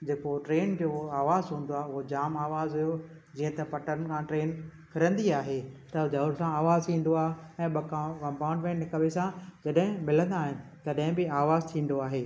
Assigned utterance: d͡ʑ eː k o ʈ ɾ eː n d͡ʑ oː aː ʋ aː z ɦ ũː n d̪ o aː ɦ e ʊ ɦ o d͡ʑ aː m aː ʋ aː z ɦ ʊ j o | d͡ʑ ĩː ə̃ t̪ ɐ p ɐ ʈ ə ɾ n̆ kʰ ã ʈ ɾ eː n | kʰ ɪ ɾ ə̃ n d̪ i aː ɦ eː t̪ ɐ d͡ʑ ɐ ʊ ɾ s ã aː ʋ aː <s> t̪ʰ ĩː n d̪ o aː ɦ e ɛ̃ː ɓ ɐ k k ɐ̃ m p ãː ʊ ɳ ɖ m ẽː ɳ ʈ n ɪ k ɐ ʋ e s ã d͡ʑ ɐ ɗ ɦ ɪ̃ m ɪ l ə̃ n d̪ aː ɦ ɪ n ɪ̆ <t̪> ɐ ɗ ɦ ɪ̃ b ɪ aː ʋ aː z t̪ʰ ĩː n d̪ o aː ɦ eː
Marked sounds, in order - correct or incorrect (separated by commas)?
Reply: incorrect, correct